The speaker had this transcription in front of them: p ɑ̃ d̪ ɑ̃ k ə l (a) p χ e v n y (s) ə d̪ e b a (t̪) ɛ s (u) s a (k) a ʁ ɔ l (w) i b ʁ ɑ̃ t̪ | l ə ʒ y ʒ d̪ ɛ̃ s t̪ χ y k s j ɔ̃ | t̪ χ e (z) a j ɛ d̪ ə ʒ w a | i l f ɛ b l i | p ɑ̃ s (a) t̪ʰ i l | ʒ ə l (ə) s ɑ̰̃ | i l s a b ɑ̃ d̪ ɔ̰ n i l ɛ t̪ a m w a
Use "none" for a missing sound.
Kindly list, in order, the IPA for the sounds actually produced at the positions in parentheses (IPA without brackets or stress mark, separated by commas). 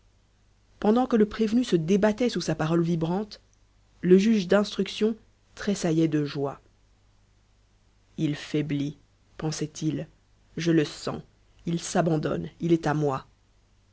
ə, s, t̪, u, p, v, s, ɛ, ə